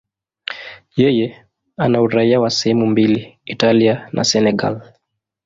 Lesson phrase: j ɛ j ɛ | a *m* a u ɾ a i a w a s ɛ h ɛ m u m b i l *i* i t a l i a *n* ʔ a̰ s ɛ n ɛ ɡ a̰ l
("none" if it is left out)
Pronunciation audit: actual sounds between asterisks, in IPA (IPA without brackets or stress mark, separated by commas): n, i, n